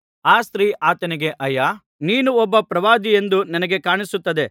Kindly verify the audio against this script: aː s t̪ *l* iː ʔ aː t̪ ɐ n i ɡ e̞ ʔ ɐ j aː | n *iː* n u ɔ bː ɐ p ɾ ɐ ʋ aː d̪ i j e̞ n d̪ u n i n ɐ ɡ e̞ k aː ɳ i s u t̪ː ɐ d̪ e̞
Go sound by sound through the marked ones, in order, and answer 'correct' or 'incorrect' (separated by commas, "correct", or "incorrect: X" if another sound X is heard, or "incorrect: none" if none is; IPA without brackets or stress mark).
incorrect: ɾ, correct